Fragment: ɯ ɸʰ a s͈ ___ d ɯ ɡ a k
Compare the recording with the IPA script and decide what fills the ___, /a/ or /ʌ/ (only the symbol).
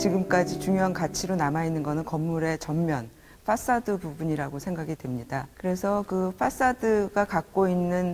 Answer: a